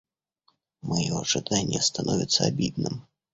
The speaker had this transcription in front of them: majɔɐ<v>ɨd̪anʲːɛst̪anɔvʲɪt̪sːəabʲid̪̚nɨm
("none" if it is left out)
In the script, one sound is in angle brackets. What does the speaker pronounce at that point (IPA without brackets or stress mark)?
ʐ